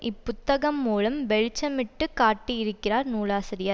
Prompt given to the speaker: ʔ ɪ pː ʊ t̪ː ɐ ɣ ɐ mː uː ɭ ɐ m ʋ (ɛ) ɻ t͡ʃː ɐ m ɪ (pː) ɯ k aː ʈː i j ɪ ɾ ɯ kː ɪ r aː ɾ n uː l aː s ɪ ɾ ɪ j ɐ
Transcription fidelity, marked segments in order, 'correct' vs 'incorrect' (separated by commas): correct, incorrect